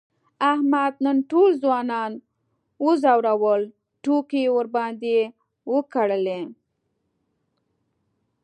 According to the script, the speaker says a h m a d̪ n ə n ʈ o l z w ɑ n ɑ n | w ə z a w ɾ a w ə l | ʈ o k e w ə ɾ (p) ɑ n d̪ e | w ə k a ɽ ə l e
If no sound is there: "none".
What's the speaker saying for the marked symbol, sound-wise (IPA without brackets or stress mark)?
b